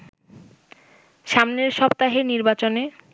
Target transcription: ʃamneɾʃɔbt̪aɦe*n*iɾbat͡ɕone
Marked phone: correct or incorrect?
correct